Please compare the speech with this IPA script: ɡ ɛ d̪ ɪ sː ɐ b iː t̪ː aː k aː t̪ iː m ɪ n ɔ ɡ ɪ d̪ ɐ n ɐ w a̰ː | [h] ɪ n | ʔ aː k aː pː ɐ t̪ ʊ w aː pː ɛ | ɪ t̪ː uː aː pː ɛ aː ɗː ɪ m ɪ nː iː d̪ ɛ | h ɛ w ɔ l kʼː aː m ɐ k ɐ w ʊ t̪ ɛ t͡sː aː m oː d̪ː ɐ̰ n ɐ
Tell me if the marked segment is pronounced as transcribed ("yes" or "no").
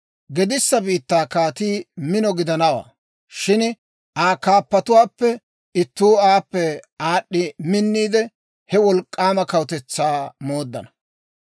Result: no